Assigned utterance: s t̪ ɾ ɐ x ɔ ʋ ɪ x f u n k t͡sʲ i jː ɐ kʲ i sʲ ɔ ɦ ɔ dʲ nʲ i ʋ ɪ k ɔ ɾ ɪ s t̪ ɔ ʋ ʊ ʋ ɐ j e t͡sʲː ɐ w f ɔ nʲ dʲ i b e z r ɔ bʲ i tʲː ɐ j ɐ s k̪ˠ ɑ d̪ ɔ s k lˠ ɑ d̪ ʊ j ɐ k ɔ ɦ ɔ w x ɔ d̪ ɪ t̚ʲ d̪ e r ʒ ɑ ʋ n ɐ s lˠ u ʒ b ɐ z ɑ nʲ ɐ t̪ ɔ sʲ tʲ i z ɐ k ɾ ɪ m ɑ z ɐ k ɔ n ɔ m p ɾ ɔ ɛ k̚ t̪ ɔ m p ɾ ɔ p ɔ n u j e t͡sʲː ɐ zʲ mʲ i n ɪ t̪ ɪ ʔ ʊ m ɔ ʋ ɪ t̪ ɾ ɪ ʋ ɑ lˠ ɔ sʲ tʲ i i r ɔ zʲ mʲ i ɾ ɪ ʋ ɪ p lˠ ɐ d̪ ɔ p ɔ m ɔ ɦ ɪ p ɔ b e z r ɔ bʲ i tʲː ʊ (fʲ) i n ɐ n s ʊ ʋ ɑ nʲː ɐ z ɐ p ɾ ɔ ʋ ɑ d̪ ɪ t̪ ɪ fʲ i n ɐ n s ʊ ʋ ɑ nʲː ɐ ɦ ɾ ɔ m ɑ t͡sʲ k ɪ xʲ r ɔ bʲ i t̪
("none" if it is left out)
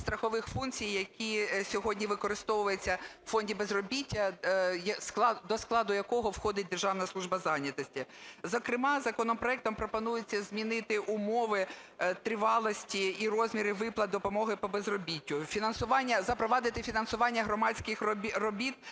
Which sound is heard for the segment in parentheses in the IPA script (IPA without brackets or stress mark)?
fʲ